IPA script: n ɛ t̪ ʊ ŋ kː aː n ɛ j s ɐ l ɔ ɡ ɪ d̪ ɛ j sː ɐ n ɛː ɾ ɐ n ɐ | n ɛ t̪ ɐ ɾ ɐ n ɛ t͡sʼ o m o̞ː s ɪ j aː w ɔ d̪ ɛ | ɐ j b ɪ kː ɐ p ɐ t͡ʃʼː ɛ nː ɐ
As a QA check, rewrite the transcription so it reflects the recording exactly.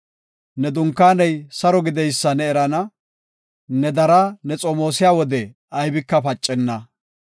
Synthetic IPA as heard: n ɛ d̪ ʊ ŋ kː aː n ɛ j s ɐ ɾ ɔ ɡ ɪ d̪ ɛ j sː ɐ n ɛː ɾ ɐ n ɐ | n ɛ d̪ ɐ ɾ ɐ n ɛ t͡sʼ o m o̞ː s ɪ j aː w ɔ d̪ ɛ | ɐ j b ɪ kː ɐ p ɐ t͡ʃʼː ɛ nː ɐ